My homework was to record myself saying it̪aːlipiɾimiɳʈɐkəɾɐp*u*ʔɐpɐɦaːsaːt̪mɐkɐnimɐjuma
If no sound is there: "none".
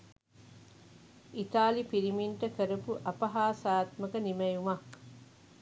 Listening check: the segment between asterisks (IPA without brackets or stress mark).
u